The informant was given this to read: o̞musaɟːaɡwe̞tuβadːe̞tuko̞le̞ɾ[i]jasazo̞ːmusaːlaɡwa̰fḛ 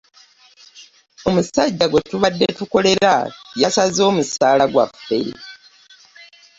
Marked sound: incorrect: a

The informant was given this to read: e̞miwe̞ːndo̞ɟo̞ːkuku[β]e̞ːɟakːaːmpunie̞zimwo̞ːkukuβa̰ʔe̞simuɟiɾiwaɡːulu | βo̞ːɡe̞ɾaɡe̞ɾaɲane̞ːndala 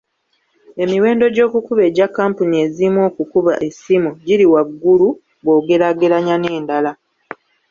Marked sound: correct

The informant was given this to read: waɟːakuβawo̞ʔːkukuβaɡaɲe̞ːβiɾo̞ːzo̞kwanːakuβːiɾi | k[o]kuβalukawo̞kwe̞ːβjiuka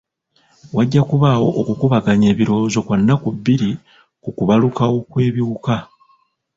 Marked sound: incorrect: u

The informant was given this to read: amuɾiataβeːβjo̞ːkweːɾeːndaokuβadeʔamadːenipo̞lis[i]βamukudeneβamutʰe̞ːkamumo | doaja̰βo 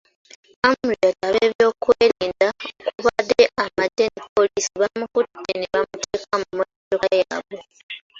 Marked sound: correct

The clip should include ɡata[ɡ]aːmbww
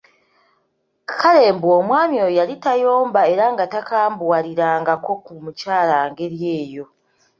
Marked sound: incorrect: k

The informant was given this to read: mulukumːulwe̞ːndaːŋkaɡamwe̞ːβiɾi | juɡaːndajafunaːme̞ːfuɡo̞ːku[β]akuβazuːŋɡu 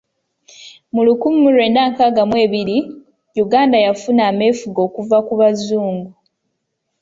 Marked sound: incorrect: v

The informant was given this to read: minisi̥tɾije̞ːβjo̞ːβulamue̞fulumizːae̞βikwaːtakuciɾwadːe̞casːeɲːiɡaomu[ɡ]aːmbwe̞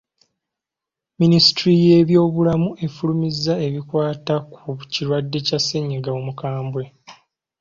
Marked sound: incorrect: k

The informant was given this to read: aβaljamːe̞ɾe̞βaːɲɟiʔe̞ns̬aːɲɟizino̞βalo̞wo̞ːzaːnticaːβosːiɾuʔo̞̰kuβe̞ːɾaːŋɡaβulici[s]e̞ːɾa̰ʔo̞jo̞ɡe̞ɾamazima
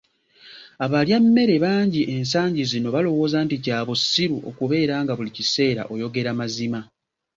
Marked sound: correct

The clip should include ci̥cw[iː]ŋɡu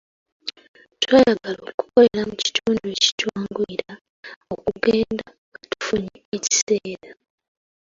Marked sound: incorrect: aː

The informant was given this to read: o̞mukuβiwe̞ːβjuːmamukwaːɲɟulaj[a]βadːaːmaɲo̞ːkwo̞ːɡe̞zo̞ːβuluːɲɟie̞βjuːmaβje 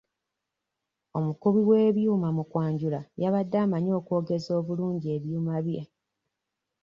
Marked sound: correct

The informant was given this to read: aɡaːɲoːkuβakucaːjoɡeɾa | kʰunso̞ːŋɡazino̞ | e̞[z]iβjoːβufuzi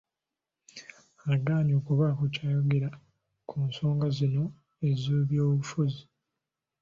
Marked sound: correct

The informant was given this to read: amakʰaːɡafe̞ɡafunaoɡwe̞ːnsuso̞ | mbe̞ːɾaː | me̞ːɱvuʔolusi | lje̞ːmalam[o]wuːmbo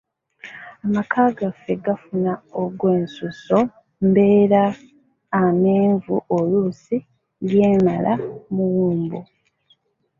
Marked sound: incorrect: u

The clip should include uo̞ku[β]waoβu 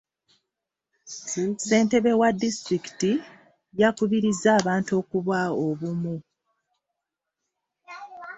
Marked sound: correct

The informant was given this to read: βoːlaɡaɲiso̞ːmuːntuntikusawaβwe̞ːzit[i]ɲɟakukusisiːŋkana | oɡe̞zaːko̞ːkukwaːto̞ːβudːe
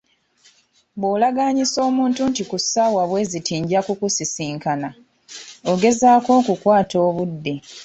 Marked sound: incorrect: iː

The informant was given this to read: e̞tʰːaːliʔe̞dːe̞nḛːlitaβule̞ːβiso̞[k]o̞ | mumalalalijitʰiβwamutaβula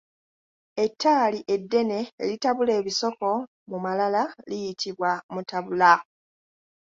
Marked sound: correct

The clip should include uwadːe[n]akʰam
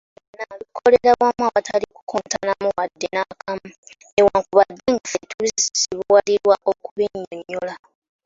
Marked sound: correct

